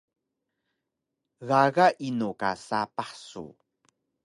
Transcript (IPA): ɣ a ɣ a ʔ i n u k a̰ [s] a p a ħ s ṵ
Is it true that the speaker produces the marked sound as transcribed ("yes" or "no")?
yes